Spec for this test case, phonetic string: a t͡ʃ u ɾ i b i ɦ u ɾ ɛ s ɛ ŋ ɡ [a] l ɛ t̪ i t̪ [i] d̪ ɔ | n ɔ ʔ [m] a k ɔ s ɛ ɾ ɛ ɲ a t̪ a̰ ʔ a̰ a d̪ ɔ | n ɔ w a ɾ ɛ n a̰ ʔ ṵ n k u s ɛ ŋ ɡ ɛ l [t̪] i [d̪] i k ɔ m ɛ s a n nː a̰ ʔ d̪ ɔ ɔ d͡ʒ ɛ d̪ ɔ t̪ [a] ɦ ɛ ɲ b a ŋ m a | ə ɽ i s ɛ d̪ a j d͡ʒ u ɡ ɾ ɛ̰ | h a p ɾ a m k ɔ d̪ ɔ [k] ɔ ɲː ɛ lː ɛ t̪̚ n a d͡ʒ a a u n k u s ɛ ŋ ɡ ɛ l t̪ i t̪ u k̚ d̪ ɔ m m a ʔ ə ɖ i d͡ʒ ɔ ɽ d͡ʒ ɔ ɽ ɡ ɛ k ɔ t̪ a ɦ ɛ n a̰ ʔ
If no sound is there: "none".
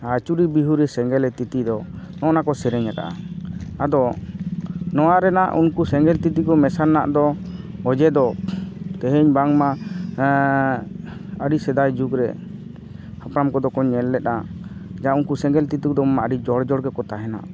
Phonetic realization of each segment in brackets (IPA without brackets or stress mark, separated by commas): ɛ, i, n, t̪, t̪, ɛ, k